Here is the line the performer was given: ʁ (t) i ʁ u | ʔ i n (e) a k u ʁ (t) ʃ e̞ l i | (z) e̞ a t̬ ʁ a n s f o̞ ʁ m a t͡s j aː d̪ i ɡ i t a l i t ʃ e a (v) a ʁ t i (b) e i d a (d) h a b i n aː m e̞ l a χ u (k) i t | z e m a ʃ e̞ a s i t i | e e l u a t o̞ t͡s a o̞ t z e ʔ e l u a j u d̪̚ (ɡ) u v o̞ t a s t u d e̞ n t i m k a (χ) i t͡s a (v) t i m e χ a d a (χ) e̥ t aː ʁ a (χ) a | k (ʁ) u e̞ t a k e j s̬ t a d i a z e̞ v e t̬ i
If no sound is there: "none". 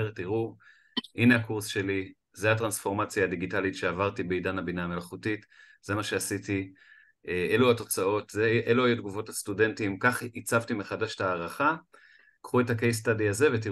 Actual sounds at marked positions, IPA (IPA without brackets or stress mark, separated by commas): t, e, s, z, v, b, n, t, ɡ, χ, v, ʃ, χ, χ